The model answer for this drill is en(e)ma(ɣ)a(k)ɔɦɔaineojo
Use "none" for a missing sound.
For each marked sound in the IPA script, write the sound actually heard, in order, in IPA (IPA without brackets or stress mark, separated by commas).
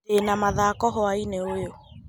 a, ð, k